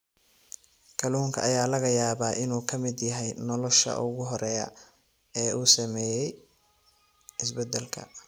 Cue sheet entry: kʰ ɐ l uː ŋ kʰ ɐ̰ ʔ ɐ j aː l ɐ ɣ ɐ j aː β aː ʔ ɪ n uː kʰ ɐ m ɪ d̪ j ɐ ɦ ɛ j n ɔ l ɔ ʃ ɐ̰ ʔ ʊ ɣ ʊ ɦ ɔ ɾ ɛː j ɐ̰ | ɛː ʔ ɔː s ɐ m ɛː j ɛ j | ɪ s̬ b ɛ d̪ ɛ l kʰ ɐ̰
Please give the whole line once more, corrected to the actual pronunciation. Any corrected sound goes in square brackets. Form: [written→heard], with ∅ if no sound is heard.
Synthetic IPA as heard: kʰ ɐ l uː ŋ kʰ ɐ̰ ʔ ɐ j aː l ɐ ɣ ɐ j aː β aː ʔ ɪ n uː kʰ ɐ m ɪ d̪ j ɐ ɦ ɛ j n ɔ l ɔ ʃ ɐ̰ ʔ ʊ ɣ ʊ ɦ ɔ ɾ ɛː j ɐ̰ | ɛː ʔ [ɔː→uː] s ɐ m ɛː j ɛ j | ɪ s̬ b ɛ d̪ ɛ l kʰ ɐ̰